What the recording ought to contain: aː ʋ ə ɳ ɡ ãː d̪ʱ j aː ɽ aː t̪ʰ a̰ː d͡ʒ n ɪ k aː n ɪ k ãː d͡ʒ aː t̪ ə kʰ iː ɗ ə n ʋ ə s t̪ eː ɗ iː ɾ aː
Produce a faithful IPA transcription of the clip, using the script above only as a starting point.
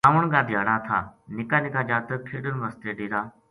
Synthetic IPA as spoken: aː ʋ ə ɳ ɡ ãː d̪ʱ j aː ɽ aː t̪ʰ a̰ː n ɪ k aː n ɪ k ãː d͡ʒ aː t̪ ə kʰ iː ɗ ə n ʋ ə s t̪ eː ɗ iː ɾ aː